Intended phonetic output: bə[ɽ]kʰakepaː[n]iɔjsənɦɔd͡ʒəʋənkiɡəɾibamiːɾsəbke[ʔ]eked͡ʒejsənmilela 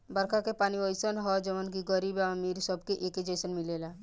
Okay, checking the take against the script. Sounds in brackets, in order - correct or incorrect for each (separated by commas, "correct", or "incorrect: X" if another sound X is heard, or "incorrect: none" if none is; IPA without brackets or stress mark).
incorrect: ɾ, correct, correct